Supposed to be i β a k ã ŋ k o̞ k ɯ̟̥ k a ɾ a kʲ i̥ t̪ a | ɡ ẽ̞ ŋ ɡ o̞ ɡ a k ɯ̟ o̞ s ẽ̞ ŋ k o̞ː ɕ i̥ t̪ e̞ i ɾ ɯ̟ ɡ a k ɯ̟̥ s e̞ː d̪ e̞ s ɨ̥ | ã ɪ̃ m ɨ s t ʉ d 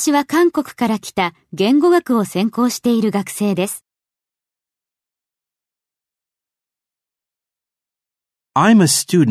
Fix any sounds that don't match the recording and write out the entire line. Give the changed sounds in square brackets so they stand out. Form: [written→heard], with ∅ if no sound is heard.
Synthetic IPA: i β a k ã ŋ k o̞ k ɯ̟̥ k a ɾ a kʲ i̥ t̪ a | ɡ ẽ̞ ŋ ɡ o̞ ɡ a k ɯ̟ o̞ s ẽ̞ ŋ k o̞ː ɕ i̥ t̪ e̞ i ɾ ɯ̟ ɡ a k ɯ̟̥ s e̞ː d̪ e̞ s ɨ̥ | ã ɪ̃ m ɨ s t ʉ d